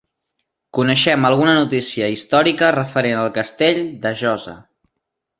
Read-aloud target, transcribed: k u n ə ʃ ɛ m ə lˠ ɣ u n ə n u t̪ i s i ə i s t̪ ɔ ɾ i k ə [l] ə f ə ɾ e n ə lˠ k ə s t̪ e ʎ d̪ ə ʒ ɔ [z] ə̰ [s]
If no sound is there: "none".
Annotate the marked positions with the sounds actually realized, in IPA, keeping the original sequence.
r, z, none

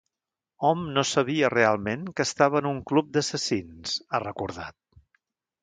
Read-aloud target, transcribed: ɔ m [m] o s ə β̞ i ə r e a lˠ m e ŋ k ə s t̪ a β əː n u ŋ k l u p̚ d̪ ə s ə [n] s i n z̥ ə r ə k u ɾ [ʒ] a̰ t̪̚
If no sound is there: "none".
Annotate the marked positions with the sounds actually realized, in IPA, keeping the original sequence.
n, none, ð

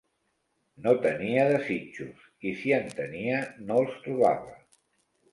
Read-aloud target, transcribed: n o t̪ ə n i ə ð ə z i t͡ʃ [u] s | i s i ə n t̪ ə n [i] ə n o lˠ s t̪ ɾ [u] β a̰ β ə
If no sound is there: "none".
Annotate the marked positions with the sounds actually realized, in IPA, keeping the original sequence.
u, i, u

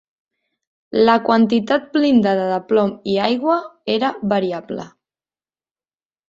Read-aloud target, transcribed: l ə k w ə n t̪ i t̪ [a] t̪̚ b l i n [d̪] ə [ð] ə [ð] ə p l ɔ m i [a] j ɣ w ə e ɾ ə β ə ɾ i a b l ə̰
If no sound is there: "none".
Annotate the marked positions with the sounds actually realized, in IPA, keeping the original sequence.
a, d̪, ð, ð, a

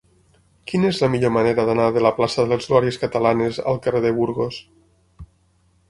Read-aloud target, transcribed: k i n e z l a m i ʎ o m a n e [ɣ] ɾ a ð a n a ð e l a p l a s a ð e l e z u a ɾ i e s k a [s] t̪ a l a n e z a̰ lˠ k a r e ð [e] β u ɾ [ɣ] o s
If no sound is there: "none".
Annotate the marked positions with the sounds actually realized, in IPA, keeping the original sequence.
none, none, e, ɣ

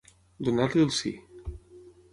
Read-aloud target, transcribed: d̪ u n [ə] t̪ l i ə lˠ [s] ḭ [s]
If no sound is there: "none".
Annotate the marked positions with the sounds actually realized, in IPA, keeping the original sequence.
a, s, none

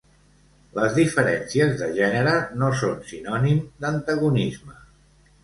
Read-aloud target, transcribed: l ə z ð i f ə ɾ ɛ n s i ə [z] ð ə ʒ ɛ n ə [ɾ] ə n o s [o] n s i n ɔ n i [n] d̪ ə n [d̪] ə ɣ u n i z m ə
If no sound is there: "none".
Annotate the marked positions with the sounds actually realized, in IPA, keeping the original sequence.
z, ɾ, o, m, t̪

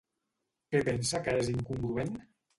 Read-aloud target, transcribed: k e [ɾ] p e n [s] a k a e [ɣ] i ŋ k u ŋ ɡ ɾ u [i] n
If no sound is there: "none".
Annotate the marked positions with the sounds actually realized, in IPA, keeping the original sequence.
none, s, z, e

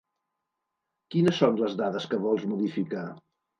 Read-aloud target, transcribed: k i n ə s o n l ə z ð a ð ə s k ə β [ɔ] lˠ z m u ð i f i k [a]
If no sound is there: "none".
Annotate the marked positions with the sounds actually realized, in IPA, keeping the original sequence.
ɔ, a

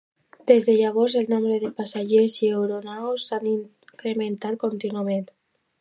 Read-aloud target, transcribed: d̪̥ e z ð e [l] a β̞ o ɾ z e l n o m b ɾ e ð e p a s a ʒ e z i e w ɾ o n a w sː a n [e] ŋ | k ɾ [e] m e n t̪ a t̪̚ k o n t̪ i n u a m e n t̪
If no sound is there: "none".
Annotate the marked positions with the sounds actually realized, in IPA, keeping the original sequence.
ʎ, i, e

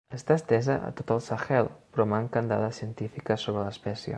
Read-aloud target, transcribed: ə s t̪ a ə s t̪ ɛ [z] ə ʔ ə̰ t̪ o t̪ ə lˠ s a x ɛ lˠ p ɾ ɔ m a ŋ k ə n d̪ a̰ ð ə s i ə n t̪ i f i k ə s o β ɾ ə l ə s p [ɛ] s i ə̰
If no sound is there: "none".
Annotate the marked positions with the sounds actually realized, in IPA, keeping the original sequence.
z, ɛ

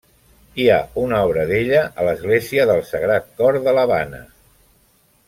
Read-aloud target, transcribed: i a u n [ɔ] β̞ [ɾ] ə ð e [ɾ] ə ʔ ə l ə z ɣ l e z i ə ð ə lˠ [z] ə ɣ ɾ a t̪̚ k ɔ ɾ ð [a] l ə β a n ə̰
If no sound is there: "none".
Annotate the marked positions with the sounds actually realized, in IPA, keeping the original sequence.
ɔ, ɾ, ʎ, s, ə

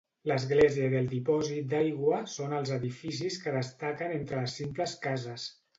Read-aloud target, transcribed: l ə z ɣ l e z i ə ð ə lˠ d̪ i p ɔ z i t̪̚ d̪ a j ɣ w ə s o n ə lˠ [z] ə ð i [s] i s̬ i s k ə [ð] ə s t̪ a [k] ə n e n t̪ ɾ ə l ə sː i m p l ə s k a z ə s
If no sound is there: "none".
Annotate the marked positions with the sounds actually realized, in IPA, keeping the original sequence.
z, f, ð, k

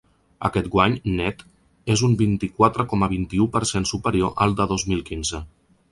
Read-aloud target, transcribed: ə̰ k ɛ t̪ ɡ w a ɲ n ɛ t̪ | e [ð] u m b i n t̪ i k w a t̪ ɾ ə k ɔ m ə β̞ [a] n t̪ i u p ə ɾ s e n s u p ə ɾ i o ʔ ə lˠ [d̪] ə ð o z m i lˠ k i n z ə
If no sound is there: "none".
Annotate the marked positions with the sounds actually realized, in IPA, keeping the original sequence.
z, i, d̪

